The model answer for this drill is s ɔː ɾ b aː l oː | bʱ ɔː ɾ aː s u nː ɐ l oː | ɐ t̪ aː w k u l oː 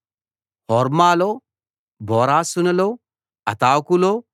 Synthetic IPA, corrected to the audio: h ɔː ɾ m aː l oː | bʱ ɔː ɾ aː s u n ɐ l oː | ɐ t̪ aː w k u l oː

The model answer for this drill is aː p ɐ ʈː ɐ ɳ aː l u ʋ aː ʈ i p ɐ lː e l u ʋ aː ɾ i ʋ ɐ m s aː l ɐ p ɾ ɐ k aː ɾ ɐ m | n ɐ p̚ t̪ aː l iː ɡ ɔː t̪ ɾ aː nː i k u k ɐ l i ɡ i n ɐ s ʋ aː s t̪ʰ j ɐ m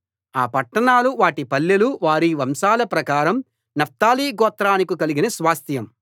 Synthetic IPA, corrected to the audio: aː p ɐ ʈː ɐ ɳ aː l u ʋ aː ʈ i p ɐ lː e l u ʋ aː ɾ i ʋ ɐ m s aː l ɐ p ɾ ɐ k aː ɾ ɐ m | n ɐ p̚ t̪ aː l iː ɡ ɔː t̪ ɾ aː n i k u k ɐ l i ɡ i n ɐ s ʋ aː s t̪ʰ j ɐ m

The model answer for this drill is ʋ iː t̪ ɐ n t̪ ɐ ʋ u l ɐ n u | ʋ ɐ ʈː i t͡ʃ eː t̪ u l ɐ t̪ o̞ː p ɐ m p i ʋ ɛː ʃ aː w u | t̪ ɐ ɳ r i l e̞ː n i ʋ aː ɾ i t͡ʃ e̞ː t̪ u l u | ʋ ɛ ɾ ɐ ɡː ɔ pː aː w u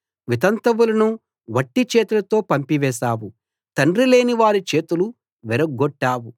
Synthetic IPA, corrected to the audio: ʋ i t̪ ɐ n t̪ ɐ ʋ u l ɐ n u | ʋ ɐ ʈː i t͡ʃ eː t̪ u l ɐ t̪ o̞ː p ɐ m p i ʋ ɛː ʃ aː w u | t̪ ɐ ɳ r i l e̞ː n i ʋ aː ɾ i t͡ʃ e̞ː t̪ u l u | ʋ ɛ ɾ ɐ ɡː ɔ ʈː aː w u

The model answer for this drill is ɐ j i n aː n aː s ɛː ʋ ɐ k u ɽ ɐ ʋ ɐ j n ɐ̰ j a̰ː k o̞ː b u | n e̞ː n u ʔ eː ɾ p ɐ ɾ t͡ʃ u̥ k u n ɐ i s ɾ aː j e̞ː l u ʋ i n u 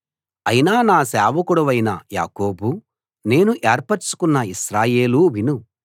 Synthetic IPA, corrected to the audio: ɐ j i n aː n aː s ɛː ʋ ɐ k u ɽ ɐ ʋ ɐ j n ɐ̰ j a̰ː k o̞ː b u | n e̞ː n u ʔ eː ɾ p ɐ ɾ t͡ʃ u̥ k u nː ɐ i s ɾ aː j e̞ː l u ʋ i n u

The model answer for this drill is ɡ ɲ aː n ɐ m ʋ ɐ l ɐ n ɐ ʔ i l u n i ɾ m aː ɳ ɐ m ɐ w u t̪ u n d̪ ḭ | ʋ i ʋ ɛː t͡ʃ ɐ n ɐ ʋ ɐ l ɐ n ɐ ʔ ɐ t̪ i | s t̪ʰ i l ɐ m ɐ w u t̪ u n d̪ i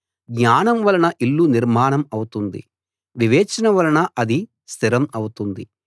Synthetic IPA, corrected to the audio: ɡ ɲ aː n ɐ m ʋ ɐ l ɐ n ɐ ʔ i lː u n i ɾ m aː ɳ ɐ m ɐ w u t̪ u n d̪ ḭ | ʋ i ʋ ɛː t͡ʃ ɐ n ɐ ʋ ɐ l ɐ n ɐ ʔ ɐ d̪ i | s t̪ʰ i ɾ ɐ m ɐ w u t̪ u n d̪ i

